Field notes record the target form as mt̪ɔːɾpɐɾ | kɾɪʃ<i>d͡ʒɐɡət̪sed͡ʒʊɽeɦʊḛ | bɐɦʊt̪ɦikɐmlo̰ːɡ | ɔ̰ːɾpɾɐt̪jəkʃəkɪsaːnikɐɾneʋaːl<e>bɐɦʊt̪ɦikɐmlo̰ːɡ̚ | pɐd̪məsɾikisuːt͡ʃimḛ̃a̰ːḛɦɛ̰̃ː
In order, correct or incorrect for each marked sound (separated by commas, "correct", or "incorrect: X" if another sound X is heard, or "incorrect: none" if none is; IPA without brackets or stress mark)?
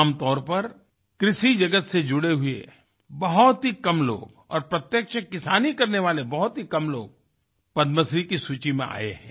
correct, correct